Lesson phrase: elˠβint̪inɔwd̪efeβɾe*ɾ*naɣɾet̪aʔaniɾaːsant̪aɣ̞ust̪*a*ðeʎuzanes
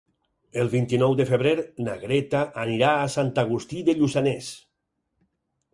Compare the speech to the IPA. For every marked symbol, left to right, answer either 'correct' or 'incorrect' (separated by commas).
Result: correct, incorrect